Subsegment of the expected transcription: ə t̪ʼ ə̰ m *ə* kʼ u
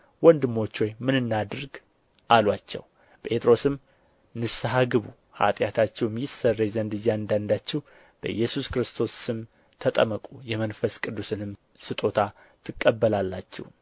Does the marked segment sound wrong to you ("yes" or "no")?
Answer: no